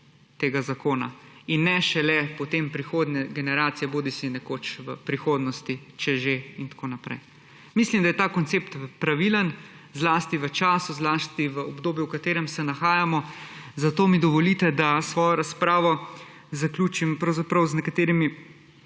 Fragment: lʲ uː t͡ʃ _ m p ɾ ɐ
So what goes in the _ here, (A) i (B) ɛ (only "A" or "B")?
A